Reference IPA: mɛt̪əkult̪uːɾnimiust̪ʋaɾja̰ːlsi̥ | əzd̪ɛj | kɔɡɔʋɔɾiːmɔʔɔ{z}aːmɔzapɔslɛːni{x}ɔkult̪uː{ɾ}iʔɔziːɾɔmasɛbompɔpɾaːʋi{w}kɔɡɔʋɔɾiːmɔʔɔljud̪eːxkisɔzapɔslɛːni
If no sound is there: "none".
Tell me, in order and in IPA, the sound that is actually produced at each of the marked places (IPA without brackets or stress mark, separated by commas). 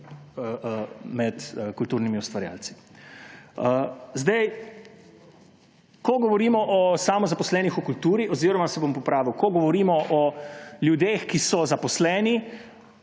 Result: s, x, ɾ, w